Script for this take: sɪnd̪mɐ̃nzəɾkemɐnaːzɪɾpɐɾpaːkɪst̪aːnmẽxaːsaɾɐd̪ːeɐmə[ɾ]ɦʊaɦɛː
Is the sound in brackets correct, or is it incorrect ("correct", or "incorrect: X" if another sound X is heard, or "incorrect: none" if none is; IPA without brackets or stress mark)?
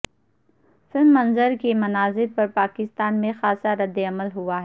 incorrect: l